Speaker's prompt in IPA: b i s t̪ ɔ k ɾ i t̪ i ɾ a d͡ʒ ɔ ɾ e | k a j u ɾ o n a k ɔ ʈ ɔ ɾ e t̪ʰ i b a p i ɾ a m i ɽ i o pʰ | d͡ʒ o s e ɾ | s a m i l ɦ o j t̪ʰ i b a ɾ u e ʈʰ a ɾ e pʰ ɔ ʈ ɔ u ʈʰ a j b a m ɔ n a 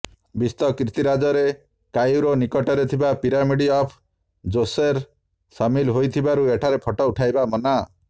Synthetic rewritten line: b i s t̪ ɔ k ɾ i t̪ i ɾ a d͡ʒ ɔ ɾ e | k a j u ɾ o n i k ɔ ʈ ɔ ɾ e t̪ʰ i b a p i ɾ a m i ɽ i ɔ pʰ | d͡ʒ o s e ɾ | s a m i l ɦ o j t̪ʰ i b a ɾ u e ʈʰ a ɾ e pʰ ɔ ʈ ɔ u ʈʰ a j b a m ɔ n a

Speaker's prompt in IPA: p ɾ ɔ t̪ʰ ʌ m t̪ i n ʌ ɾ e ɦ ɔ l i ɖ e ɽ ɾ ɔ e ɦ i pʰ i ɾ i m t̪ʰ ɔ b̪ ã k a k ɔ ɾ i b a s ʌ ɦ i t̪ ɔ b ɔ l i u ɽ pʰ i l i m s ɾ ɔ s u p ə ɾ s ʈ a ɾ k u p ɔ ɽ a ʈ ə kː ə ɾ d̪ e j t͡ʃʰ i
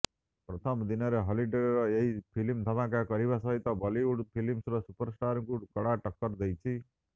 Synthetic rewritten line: p ɾ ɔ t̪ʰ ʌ m d̪ i n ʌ ɾ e ɦ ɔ l i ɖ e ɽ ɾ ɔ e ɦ i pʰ i l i m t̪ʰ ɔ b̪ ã k a k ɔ ɾ i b a s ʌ ɦ i t̪ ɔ b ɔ l i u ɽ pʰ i l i m s ɾ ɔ s u p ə ɾ s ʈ a ɾ k u k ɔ ɽ a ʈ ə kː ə ɾ d̪ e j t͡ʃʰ i

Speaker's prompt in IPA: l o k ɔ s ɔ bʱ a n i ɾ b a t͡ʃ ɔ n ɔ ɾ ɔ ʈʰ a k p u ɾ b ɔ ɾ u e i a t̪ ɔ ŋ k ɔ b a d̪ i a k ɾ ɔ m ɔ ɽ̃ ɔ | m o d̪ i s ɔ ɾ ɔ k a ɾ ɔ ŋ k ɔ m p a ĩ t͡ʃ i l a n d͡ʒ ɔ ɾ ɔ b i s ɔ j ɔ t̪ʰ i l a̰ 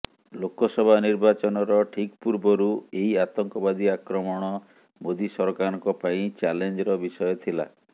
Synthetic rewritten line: l o k ɔ s ɔ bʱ a n i ɾ b a t͡ʃ ɔ n ɔ ɾ ɔ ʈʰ i k p u ɾ b ɔ ɾ u e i a t̪ ɔ ŋ k ɔ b a d̪ i a k ɾ ɔ m ɔ ɽ̃ ɔ | m o d̪ i s ɔ ɾ ɔ k a ɾ ɔ ŋ k ɔ p a ĩ t͡ʃ a l e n d͡ʒ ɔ ɾ ɔ b i s ɔ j ɔ t̪ʰ i l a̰

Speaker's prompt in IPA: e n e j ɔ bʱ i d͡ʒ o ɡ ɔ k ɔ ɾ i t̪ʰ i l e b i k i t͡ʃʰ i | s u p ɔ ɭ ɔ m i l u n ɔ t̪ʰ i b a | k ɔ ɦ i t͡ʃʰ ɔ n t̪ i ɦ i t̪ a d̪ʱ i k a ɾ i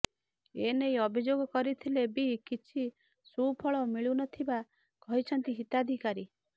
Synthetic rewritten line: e n e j ɔ bʱ i d͡ʒ o ɡ ɔ k ɔ ɾ i t̪ʰ i l e b i k i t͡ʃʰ i | s u pʰ ɔ ɭ ɔ m i ɭ u n ɔ t̪ʰ i b a | k ɔ ɦ i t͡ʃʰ ɔ n t̪ i ɦ i t̪ a d̪ʱ i k a ɾ i

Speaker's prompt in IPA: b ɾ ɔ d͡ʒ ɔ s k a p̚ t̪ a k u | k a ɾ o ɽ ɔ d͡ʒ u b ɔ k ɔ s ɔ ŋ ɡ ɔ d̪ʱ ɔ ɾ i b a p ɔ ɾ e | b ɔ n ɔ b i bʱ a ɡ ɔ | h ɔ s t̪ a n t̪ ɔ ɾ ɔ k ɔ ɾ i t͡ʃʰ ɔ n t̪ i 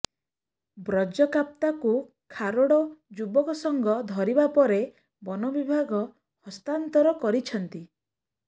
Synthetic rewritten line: b ɾ ɔ d͡ʒ ɔ k a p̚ t̪ a k u | kʰ a ɾ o ɽ ɔ d͡ʒ u b ɔ k ɔ s ɔ ŋ ɡ ɔ d̪ʱ ɔ ɾ i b a p ɔ ɾ e | b ɔ n ɔ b i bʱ a ɡ ɔ | h ɔ s t̪ a n t̪ ɔ ɾ ɔ k ɔ ɾ i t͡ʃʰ ɔ n t̪ i

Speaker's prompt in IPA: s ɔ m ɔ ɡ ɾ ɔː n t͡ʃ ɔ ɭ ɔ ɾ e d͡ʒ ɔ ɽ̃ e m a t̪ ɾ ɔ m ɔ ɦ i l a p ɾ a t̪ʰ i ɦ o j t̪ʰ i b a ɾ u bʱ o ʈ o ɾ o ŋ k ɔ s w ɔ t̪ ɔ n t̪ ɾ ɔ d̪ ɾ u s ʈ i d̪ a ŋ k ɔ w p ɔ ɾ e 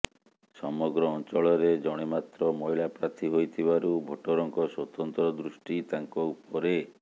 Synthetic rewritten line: s ɔ m ɔ ɡ ɾ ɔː n t͡ʃ ɔ ɭ ɔ ɾ e d͡ʒ ɔ ɽ̃ e m a t̪ ɾ ɔ m ɔ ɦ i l a p ɾ a t̪ʰ i ɦ o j t̪ʰ i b a ɾ u bʱ o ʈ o ɾ ɔ ŋ k ɔ s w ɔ t̪ ɔ n t̪ ɾ ɔ d̪ ɾ u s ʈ i t̪ a ŋ k ɔ u p ɔ ɾ e

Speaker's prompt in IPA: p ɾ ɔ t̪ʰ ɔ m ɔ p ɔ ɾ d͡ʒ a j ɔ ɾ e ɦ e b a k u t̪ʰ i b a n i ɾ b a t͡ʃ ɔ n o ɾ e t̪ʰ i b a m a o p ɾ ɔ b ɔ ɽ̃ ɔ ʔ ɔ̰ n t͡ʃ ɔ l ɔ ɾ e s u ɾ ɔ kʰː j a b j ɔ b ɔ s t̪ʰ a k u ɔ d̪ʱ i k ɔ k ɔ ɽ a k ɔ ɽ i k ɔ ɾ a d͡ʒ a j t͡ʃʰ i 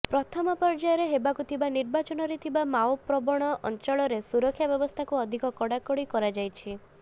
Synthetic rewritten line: p ɾ ɔ t̪ʰ ɔ m ɔ p ɔ ɾ d͡ʒ a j ɔ ɾ e ɦ e b a k u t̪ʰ i b a n i ɾ b a t͡ʃ ɔ n ɔ ɾ e t̪ʰ i b a m a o p ɾ ɔ b ɔ ɽ̃ ɔ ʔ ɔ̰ n t͡ʃ ɔ ɭ ɔ ɾ e s u ɾ ɔ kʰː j a b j ɔ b ɔ s t̪ʰ a k u ɔ d̪ʱ i k ɔ k ɔ ɽ a k ɔ ɽ i k ɔ ɾ a d͡ʒ a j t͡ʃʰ i

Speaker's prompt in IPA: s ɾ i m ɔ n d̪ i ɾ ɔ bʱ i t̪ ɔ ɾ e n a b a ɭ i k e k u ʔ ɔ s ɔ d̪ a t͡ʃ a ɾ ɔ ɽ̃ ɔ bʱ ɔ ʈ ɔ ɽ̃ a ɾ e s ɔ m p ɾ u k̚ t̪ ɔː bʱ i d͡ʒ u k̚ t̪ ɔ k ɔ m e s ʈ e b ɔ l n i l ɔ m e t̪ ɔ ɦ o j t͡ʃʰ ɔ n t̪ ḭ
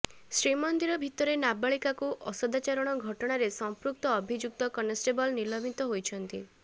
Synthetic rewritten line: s ɾ i m ɔ n d̪ i ɾ ɔ bʱ i t̪ ɔ ɾ e n a b a ɭ i k a k u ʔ ɔ s ɔ d̪ a t͡ʃ a ɾ ɔ ɽ̃ ɔ ɡʱ ɔ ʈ ɔ ɽ̃ a ɾ e s ɔ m p ɾ u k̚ t̪ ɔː bʱ i d͡ʒ u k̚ t̪ ɔ k ɔ n e s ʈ e b ɔ l n i l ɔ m i t̪ ɔ ɦ o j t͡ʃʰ ɔ n t̪ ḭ

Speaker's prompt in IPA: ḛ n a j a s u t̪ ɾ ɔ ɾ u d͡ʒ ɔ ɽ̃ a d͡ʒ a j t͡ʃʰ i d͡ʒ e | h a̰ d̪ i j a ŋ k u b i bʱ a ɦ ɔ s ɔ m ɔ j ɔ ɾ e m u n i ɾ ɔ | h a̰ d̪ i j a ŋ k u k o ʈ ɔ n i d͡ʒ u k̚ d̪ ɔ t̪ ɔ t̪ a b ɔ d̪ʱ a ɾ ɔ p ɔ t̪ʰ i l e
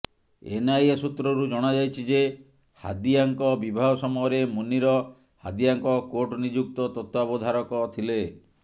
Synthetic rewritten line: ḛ n a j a s u t̪ ɾ ɔ ɾ u d͡ʒ ɔ ɽ̃ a d͡ʒ a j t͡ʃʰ i d͡ʒ e | h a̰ d̪ i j a ŋ k ɔ b i bʱ a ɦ ɔ s ɔ m ɔ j ɔ ɾ e m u n i ɾ ɔ | h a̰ d̪ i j a ŋ k ɔ k o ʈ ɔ n i d͡ʒ u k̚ t̪ ɔ t̪ ɔ t̪ a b ɔ d̪ʱ a ɾ ɔ k ɔ t̪ʰ i l e

